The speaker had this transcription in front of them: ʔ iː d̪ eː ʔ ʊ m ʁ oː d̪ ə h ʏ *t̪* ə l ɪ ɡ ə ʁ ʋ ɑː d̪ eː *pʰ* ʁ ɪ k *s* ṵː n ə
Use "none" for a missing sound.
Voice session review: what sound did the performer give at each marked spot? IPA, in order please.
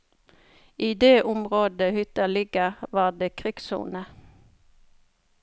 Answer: t̪, kʰ, s

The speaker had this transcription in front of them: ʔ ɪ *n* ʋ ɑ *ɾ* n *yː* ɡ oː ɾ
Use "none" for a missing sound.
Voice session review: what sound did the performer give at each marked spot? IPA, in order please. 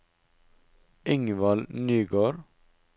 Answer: ŋ, l, yː

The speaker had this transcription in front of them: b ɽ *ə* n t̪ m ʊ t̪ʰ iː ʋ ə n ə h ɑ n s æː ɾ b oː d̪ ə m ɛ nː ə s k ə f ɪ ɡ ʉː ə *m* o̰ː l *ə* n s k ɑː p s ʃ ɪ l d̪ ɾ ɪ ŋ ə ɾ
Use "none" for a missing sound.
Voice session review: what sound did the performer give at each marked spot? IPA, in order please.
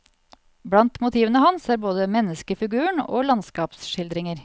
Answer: ɑ, ɳ, ɑ

